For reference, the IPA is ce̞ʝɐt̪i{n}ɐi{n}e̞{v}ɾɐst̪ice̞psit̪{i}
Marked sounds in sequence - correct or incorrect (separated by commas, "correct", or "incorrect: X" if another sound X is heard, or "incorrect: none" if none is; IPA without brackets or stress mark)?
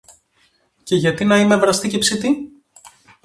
correct, incorrect: m, correct, correct